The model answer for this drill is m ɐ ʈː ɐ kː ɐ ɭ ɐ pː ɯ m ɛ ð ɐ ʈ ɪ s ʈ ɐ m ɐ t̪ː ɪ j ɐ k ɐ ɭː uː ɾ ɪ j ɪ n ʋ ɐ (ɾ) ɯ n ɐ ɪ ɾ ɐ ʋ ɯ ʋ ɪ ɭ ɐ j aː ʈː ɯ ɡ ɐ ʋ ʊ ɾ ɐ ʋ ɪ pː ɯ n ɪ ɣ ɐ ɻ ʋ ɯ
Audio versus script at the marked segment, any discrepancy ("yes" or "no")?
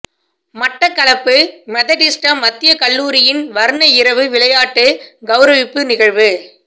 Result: no